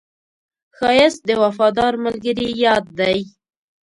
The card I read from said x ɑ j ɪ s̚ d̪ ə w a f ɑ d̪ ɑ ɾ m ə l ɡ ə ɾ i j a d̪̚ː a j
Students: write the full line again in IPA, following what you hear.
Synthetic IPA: x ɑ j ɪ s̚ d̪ ə w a f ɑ d̪ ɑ ɾ m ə l ɡ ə ɾ i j ɑ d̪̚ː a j